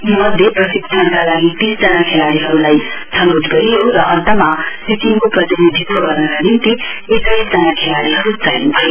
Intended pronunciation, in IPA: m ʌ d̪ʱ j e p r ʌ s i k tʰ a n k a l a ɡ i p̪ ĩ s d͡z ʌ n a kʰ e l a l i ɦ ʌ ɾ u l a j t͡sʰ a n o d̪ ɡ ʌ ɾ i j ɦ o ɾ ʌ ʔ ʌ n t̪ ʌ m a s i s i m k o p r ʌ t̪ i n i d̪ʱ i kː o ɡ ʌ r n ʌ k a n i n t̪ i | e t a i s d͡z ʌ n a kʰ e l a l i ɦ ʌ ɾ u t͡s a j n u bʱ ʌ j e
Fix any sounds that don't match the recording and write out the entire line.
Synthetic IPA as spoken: m ʌ d̪ʱ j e p r ʌ s i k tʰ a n k a l a ɡ i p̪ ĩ s d͡z ʌ n a kʰ e l a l i ɦ ʌ ɾ u l a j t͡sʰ ʌ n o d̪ ɡ ʌ ɾ i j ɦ o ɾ ʌ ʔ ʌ n t̪ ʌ m a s i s i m k o p r ʌ t̪ i n i d̪ʱ i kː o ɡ ʌ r n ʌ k a n i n t̪ i | e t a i s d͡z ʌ n a kʰ e l a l i ɦ ʌ ɾ u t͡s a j n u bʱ ʌ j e